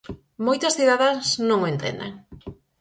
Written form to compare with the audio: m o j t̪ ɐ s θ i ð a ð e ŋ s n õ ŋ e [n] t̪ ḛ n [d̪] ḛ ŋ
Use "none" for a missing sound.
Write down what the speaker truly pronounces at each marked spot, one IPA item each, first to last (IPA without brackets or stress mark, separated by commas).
n, d̪